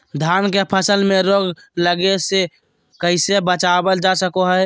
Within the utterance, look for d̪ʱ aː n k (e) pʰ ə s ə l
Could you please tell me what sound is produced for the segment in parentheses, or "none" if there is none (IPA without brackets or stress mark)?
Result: e